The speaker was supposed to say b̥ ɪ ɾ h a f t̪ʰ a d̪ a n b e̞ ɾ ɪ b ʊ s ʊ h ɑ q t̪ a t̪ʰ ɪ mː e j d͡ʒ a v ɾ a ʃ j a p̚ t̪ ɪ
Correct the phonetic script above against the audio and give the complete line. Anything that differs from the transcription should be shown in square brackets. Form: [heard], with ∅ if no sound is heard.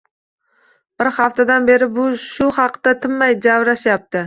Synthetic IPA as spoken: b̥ ɪ ɾ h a f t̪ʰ a d̪ a n b e̞ ɾ ɪ b ʊ [ʃ] ʊ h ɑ q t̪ a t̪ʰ ɪ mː [a] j d͡ʒ a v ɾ a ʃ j a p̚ t̪ ɪ